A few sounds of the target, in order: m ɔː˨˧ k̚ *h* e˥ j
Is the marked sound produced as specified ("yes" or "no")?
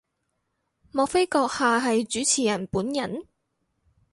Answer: no